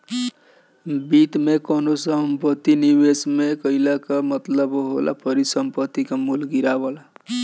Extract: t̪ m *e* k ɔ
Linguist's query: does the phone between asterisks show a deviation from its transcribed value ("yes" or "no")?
no